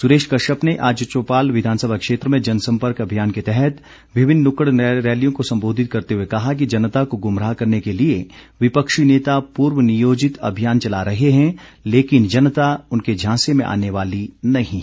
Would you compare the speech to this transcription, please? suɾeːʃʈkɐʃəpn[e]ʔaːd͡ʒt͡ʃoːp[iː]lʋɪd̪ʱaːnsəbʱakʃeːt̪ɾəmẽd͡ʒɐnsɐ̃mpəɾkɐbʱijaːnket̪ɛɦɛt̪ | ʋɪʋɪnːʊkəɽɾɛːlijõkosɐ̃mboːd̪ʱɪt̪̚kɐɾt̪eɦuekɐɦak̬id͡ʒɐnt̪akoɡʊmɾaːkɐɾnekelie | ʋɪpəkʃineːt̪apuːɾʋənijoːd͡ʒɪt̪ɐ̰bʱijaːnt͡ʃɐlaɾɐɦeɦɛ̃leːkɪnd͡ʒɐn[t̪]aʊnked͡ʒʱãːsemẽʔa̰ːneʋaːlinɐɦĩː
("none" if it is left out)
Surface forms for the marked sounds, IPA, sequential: e, aː, t̪

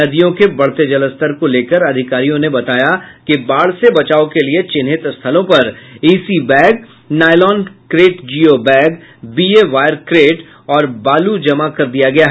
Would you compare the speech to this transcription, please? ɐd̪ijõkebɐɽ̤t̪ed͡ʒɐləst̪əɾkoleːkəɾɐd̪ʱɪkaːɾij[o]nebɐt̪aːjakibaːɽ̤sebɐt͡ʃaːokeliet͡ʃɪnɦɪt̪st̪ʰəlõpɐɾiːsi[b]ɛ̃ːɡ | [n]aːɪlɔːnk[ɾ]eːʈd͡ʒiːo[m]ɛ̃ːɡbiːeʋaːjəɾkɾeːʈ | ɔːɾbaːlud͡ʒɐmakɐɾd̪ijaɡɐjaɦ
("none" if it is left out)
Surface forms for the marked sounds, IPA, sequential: õ, b, n, ɾ, b

